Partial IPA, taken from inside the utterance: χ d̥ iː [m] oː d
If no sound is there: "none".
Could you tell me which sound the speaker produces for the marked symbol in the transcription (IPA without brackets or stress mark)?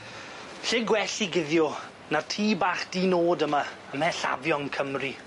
n